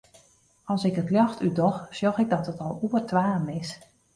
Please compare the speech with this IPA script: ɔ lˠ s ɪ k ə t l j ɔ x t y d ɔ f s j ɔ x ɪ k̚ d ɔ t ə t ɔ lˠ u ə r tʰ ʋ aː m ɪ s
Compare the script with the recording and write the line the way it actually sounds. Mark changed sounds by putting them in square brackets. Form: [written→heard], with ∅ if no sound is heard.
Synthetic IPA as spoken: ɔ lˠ s ɪ k ə t l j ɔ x t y d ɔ [f→x] s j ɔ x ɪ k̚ d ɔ t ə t ɔ lˠ u ə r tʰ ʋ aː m ɪ s